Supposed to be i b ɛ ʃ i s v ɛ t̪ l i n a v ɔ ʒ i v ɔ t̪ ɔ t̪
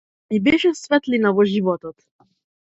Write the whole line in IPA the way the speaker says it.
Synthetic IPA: i b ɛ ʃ ɛ s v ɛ t̪ l i n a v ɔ ʒ i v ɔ t̪ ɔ t̪